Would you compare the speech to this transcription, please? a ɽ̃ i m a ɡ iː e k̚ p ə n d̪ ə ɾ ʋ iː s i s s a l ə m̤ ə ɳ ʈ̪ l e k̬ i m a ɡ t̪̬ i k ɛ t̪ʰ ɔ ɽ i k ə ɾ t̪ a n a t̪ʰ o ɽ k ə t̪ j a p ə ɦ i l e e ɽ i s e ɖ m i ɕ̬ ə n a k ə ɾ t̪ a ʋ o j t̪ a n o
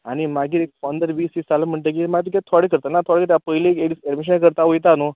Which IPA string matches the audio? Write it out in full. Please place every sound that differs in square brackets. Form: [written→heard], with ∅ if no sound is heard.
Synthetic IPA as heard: a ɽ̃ i m a ɡ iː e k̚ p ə n d̪ ə ɾ ʋ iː s i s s a l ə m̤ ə ɳ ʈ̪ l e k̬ i m a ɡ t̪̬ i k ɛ t̪ʰ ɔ ɽ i k ə ɾ t̪ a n a t̪ʰ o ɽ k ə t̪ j a p ə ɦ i l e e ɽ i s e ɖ m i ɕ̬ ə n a k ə ɾ t̪ a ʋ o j t̪ a n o